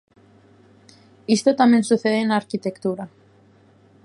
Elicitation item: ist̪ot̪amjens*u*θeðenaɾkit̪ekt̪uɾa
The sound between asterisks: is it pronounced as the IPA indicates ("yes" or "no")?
yes